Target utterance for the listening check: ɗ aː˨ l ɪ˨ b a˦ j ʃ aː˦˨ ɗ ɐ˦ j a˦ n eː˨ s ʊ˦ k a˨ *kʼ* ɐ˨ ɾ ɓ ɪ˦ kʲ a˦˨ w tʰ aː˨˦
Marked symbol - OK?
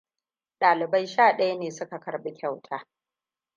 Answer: no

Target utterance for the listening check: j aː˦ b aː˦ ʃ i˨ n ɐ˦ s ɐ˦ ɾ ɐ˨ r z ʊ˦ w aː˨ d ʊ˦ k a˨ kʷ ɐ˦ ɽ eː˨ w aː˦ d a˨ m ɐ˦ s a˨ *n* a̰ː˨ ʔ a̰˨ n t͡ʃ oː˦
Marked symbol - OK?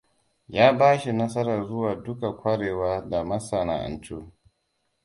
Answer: yes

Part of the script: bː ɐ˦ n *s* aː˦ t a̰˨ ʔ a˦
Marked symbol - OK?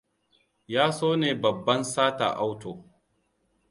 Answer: yes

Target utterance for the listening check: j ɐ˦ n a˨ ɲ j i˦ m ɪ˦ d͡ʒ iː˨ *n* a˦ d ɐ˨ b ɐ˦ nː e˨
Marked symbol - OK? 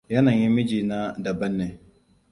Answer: yes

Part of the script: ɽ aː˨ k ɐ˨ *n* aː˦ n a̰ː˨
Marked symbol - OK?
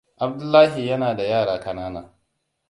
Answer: yes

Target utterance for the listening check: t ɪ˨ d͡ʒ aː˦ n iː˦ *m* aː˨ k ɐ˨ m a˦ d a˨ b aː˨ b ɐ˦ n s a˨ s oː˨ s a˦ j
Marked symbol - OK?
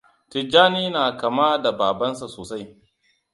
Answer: no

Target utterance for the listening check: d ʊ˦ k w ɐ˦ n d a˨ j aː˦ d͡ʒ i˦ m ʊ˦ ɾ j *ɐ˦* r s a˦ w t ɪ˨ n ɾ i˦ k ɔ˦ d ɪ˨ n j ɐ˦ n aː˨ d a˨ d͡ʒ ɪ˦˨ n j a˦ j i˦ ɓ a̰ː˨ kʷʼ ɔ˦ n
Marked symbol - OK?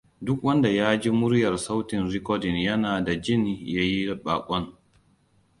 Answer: no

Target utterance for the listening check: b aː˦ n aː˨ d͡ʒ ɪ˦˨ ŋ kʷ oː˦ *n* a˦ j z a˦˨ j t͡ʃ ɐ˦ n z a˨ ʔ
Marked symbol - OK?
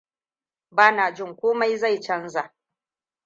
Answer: no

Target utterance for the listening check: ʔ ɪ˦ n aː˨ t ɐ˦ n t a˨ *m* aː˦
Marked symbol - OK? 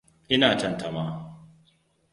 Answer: yes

